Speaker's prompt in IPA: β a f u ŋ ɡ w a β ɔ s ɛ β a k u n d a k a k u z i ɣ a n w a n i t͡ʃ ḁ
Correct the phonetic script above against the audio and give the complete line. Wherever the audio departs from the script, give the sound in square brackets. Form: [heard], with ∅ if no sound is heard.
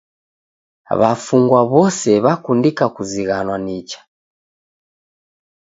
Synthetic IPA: β a f u ŋ ɡ w a β ɔ s ɛ β a k u n d [i] k a k u z i ɣ a n w a n i t͡ʃ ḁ